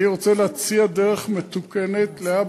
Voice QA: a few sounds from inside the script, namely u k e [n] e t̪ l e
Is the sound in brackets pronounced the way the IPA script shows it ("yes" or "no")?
yes